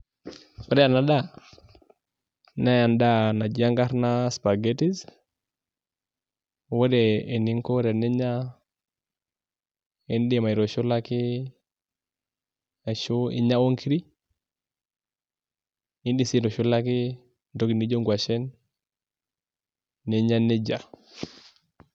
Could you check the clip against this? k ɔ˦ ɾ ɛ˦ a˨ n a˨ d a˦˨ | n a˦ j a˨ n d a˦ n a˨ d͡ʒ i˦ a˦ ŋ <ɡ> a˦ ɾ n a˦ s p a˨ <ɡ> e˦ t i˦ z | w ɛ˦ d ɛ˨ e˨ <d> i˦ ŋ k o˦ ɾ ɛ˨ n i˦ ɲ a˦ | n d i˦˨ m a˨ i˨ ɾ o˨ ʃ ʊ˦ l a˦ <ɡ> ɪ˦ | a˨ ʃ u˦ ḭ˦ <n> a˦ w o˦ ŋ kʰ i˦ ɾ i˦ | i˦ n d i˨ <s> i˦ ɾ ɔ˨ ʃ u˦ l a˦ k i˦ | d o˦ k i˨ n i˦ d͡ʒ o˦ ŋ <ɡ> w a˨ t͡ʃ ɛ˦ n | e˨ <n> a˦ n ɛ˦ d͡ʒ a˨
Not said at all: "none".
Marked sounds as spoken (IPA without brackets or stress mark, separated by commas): ɡ, ɡ, n, k, ɲ, s, ɡ, ɲ